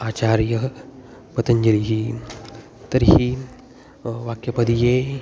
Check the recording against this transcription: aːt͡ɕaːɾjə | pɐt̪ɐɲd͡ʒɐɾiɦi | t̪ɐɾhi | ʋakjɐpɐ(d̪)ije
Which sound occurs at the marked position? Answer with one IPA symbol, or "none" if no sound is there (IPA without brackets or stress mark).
d̪